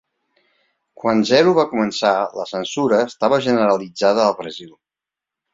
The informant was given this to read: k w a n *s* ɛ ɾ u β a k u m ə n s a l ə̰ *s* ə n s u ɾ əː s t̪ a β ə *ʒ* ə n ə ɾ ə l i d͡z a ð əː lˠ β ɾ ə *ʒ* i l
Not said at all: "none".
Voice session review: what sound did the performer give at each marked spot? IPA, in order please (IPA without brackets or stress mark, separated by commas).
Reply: z, s, ʒ, z